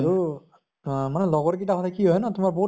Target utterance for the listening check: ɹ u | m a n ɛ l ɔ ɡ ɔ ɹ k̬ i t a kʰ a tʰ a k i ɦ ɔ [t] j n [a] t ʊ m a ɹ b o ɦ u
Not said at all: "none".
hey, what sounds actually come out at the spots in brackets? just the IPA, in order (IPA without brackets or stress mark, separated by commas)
none, a